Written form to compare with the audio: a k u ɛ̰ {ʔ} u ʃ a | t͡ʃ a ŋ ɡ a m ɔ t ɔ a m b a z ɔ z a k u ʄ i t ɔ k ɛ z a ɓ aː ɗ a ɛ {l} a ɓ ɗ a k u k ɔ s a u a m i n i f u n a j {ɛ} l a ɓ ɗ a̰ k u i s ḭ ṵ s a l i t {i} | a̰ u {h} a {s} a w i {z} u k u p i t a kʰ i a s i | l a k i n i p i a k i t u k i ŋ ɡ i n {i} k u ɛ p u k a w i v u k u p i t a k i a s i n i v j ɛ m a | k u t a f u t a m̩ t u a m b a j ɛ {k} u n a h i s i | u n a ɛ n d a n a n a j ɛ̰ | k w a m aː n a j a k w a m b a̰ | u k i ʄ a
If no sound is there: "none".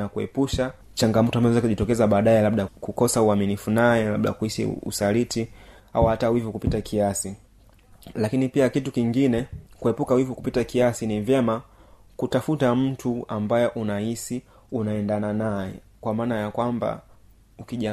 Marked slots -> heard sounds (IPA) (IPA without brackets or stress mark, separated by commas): p, l, ɛ, i, h, t, v, ɛ, ʔ